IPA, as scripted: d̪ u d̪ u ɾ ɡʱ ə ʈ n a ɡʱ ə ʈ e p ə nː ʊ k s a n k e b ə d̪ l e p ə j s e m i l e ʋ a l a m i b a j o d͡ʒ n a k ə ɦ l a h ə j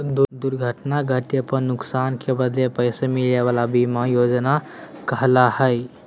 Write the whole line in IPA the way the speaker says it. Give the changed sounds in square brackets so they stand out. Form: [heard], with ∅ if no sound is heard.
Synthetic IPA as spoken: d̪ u d̪ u ɾ ɡʱ ə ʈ n a ɡʱ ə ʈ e p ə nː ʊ k s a n k e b ə d̪ l e p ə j s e m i l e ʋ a l a [b] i [m] a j o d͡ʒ n a k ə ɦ l a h ə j